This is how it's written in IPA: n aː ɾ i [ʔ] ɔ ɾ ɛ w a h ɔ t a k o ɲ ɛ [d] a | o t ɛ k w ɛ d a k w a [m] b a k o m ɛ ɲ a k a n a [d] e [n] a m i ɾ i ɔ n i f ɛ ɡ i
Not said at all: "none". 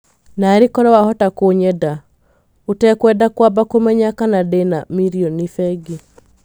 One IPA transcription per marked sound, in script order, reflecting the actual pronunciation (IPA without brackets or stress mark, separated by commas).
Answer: k, d, none, d, n